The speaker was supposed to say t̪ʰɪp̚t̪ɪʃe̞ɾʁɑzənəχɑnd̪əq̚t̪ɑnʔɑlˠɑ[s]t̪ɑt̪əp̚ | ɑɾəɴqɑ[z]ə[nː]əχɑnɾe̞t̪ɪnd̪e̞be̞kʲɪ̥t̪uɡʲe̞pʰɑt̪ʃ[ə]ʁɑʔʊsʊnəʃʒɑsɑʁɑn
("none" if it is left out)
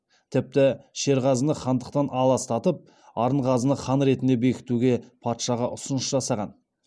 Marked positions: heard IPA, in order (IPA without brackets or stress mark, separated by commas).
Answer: s, z, n, ɑ